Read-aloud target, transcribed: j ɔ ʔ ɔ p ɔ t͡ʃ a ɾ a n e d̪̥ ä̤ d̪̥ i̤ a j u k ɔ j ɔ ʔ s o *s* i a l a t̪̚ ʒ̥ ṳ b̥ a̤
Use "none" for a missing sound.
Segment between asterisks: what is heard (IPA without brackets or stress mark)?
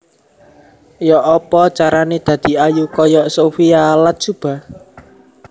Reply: f